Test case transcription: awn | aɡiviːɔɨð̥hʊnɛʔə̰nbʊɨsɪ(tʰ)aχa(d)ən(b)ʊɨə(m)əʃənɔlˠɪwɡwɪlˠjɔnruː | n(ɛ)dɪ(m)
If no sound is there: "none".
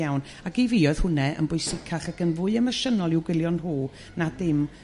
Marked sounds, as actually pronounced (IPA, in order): kʰ, ɡ, v, m, a, m

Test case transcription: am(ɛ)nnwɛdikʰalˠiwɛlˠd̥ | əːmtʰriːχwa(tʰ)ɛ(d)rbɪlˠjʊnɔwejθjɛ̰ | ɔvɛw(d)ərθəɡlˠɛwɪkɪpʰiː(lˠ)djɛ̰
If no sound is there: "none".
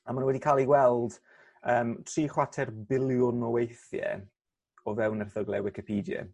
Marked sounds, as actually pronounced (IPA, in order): a, tʰ, none, n, none

